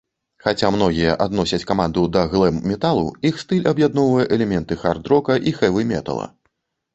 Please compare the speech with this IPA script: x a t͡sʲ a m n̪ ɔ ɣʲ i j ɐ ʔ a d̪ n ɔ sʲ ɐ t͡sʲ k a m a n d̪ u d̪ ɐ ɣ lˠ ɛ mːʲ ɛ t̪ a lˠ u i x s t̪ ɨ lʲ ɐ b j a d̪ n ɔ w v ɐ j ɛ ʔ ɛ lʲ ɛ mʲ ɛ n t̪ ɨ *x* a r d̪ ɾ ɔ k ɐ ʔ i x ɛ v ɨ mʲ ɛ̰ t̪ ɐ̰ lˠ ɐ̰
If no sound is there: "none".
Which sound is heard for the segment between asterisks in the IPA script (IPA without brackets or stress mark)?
x